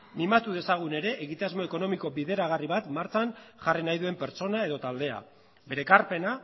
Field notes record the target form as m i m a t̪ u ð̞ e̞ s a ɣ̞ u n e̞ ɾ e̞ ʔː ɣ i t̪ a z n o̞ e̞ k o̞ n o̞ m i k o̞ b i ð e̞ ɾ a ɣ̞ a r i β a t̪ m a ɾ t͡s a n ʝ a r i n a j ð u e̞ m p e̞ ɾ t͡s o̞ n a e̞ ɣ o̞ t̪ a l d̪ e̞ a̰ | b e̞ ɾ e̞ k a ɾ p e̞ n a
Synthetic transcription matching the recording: m i m a t̪ u ð̞ e̞ s a ɣ̞ u n e̞ ɾ e̞ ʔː ɣ i t̪ a z m o̞ e̞ k o̞ n o̞ m i k o̞ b i ð e̞ ɾ a ɣ̞ a r i β a t̪ m a ɾ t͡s a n ʝ a r i n a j ð u e̞ m p e̞ ɾ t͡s o̞ n a e̞ ð o̞ t̪ a l d̪ e̞ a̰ | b e̞ ɾ e̞ k a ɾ p e̞ n a

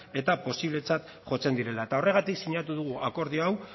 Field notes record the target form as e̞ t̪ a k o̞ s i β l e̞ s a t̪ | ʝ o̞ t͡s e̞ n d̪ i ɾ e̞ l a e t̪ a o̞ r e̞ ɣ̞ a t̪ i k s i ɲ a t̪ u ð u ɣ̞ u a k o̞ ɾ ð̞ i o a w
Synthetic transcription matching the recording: e̞ t̪ a p o̞ s i β l e̞ t͡s a t̪ | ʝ o̞ t͡s e̞ n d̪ i ɾ e̞ l a e t̪ a o̞ r e̞ ɣ̞ a t̪ i k s i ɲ a t̪ u ð u ɣ̞ u a k o̞ ɾ ð̞ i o a w

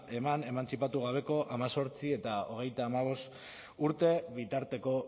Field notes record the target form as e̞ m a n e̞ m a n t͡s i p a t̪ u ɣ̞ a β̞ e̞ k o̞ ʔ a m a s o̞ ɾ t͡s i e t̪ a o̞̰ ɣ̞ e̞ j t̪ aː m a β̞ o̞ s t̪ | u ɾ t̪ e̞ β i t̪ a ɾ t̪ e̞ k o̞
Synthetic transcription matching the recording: e̞ m a n e̞ m a n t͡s i p a t̪ u ɣ̞ a β̞ e̞ k o̞ ʔ a m a s o̞ ɾ t͡s i e t̪ a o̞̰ ɣ̞ e̞ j t̪ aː m a β̞ o̞ s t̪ | u ɾ t̪ e̞ β i t̪ a ɾ t̪ e̞ k o̞

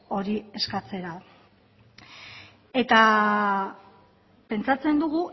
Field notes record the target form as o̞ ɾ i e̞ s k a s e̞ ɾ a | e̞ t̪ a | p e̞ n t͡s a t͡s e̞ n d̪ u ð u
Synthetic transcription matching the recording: o̞ ɾ i e̞ s k a t͡s e̞ ɾ a | e̞ t̪ a | p e̞ n t͡s a t͡s e̞ n d̪ u ɣ u

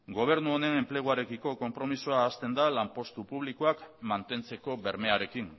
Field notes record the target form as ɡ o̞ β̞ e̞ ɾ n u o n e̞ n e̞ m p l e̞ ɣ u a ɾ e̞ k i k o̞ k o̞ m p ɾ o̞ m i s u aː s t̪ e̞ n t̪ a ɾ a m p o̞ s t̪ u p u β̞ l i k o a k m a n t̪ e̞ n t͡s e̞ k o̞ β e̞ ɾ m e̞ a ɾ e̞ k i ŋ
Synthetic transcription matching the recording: ɡ o̞ β̞ e̞ ɾ n u o n e̞ n e̞ m p l e̞ ɣ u a ɾ e̞ k i k o̞ k o̞ m p ɾ o̞ m i s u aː s t̪ e̞ n d̪ a l a m p o̞ s t̪ u p u β̞ l i k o a k m a n t̪ e̞ n t͡s e̞ k o̞ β e̞ ɾ m e̞ a ɾ e̞ k i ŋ

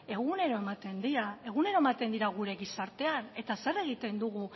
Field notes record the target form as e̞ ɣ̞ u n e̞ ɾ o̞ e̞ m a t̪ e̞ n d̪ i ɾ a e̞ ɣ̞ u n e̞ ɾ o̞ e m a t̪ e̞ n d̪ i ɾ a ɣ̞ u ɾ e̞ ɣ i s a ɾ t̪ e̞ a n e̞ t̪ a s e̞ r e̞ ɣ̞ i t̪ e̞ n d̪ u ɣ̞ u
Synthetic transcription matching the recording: e̞ ɣ̞ u n e̞ ɾ o̞ e̞ m a t̪ e̞ n d̪ i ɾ a e̞ ɣ̞ u n e̞ ɾ o̞ e m a t̪ e̞ n d̪ i ɾ a ɣ̞ u ɾ e̞ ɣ i s a ɾ t̪ e̞ a n e̞ t̪ a s e̞ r e̞ ɣ̞ i t̪ e̞ n d̪ u ɣ̞ u

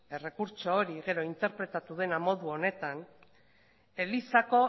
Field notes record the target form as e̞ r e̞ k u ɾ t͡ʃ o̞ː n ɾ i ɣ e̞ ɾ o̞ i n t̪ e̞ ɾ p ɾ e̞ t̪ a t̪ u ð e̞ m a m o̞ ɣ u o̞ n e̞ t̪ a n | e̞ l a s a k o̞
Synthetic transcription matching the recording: e̞ r e̞ k u ɾ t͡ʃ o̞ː ɾ i ɣ e̞ ɾ o̞ i n t̪ e̞ ɾ p ɾ e̞ t̪ a t̪ u ð e̞ n a m o̞ ð u o̞ n e̞ t̪ a n | e̞ l i s a k o̞

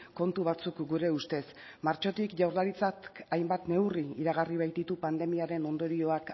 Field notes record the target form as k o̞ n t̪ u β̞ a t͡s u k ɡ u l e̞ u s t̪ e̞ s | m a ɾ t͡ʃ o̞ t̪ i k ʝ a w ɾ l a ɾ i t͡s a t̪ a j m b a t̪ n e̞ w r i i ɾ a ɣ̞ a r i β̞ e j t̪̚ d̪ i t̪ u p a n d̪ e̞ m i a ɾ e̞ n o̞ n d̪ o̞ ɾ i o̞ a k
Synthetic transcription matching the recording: k o̞ n t̪ u β̞ a t͡s u k ɡ u ɾ e̞ u s t̪ e̞ s | m a ɾ t͡ʃ o̞ t̪ i k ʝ a w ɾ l a ɾ i t͡s a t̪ a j m b a t̪ n e̞ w r i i ɾ a ɣ̞ a r i β̞ a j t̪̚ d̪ i t̪ u p a n d̪ e̞ m i a ɾ e̞ n o̞ n d̪ o̞ ɾ i o̞ a k

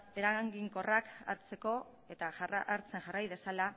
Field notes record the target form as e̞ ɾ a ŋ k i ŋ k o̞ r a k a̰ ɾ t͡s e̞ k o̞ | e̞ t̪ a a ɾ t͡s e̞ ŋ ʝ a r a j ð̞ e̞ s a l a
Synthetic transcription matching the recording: e̞ ɾ a ŋ ɡ i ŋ k o̞ r a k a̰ ɾ t͡s e̞ k o̞ | e̞ t̪ a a ɾ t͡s e̞ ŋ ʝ a r a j ð̞ e̞ s a l a

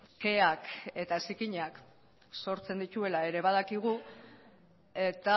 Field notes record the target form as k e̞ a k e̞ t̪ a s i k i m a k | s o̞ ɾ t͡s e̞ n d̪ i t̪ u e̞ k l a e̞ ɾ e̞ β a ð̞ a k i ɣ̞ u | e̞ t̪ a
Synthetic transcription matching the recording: k e̞ a k e̞ t̪ a s i k i ɲ a k | s o̞ ɾ t͡s e̞ n d̪ i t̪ u e̞ l a e̞ ɾ e̞ β a ð̞ a k i ɣ̞ u | e̞ t̪ a

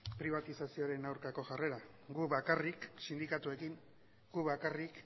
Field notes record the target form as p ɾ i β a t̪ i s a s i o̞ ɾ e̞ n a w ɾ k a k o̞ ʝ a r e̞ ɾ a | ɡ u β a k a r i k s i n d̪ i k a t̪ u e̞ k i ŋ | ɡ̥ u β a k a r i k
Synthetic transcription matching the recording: p ɾ i β a t̪ i s a s i o̞ ɾ e̞ n a w ɾ k a k o̞ ʝ a r e̞ ɾ a | ɡ u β a k a r i k s i n d̪ i k a t̪ u e̞ k i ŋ | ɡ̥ u β a k a r i k

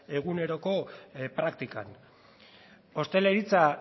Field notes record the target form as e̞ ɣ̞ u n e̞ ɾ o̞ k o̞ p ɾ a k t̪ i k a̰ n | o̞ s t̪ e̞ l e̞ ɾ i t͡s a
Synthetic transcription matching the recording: e̞ ɣ̞ u n e̞ ɾ o̞ k o̞ p ɾ a k t̪ i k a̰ n | o̞ s t̪ e̞ l e̞ ɾ i t͡s a

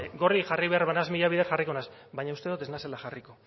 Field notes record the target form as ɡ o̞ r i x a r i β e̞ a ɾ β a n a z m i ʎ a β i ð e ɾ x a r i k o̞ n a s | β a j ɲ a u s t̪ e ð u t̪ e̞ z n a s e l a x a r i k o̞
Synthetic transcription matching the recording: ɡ o̞ r i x a r i β e̞ a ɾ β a n a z m i ʎ a β i ð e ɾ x a r i k o̞ n a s | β a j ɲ a u s t̪ e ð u t̪ e̞ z n a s e l a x a r i k o̞

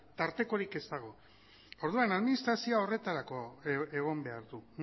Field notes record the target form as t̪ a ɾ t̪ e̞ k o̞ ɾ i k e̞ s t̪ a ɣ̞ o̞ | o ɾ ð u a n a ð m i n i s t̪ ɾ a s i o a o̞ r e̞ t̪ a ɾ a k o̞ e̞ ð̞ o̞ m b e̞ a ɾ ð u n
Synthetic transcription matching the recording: t̪ a ɾ t̪ e̞ k o̞ ɾ i k e̞ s t̪ a ɣ̞ o̞ | o ɾ ð u a n a ð m i n i s t̪ ɾ a s i o a o̞ r e̞ t̪ a ɾ a k o̞ e̞ ɣ̞ o̞ m b e̞ a ɾ ð u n

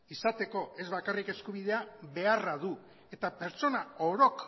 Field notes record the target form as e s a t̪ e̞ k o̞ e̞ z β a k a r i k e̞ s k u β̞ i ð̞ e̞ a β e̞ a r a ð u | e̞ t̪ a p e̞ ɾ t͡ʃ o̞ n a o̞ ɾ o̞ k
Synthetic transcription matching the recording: i s a t̪ e̞ k o̞ e̞ z β a k a r i k e̞ s k u β̞ i ð̞ e̞ a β e̞ a r a ð u | e̞ t̪ a p e̞ ɾ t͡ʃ o̞ n a o̞ ɾ o̞ k

